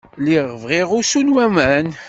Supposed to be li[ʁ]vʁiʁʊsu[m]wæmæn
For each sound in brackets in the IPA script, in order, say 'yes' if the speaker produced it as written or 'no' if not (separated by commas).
yes, no